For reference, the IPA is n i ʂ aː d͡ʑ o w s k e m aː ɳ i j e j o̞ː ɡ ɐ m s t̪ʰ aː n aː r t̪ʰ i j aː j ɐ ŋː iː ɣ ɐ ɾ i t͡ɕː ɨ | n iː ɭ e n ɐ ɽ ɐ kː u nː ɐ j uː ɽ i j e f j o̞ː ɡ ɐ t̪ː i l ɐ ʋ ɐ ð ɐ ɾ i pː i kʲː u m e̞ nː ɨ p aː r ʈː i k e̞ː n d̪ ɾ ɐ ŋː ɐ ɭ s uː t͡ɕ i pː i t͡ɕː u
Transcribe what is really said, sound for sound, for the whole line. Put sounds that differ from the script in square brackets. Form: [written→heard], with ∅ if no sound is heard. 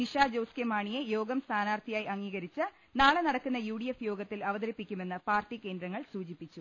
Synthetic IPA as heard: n i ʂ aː d͡ʑ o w s k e m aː ɳ i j e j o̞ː ɡ ɐ m s t̪ʰ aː n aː r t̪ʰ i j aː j ɐ ŋː iː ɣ ɐ ɾ i t͡ɕː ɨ | n [iː→aː] ɭ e n ɐ ɽ ɐ kː u nː ɐ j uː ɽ i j e f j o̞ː ɡ ɐ t̪ː i l ɐ ʋ ɐ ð ɐ ɾ i pː i kʲː u m e̞ nː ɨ p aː r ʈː i k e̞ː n d̪ ɾ ɐ ŋː ɐ ɭ s uː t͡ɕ i pː i t͡ɕː u